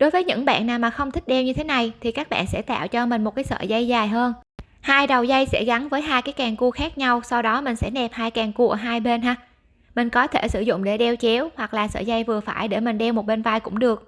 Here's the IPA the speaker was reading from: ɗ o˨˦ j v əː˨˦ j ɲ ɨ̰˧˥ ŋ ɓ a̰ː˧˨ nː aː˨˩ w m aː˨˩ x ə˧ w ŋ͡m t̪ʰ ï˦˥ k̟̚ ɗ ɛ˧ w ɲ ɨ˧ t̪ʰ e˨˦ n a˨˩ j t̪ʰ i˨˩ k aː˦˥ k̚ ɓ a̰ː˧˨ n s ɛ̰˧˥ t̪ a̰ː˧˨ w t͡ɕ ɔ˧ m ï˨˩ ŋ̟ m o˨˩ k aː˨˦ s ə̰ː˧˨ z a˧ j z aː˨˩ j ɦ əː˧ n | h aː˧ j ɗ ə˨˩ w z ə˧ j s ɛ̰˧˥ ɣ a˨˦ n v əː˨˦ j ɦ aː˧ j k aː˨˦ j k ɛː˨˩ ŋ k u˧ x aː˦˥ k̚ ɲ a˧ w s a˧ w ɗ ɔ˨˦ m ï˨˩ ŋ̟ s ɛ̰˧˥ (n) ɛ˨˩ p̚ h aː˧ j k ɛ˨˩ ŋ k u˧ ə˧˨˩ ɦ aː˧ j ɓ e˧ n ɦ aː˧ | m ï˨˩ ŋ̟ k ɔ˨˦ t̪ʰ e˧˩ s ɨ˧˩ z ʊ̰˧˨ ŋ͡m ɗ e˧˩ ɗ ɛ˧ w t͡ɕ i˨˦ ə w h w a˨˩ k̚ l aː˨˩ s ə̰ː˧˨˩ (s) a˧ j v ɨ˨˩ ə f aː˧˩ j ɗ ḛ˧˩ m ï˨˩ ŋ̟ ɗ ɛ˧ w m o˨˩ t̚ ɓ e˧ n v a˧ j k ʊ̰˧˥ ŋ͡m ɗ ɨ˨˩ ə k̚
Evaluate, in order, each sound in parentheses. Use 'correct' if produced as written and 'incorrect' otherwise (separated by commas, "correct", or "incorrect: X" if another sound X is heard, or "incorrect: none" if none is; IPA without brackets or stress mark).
correct, incorrect: z